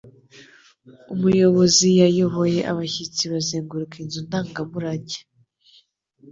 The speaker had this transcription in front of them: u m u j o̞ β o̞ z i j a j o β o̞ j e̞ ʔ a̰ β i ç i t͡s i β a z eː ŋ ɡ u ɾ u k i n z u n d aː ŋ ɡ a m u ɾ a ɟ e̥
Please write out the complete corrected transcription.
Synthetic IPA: u m u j o̞ β o̞ z i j a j o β o̞ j e̞ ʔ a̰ β a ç i t͡s i β a z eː ŋ ɡ u ɾ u k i n z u n d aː ŋ ɡ a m u ɾ a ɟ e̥